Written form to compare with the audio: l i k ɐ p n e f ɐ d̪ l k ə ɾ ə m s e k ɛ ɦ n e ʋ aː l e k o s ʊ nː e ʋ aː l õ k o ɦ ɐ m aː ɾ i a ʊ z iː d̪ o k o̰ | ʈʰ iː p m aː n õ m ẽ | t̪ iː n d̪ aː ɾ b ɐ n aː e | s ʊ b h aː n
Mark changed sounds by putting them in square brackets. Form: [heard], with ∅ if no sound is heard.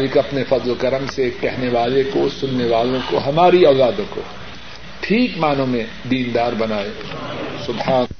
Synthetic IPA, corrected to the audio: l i k ɐ p n e f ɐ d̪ l k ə ɾ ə m s e k ɛ ɦ n e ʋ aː l e k o s ʊ nː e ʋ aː l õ k o ɦ ɐ m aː ɾ i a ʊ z [aː] d̪ [õ] k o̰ | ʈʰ iː [k] m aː n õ m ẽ | [d̪] iː n d̪ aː ɾ b ɐ n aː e | s ʊ b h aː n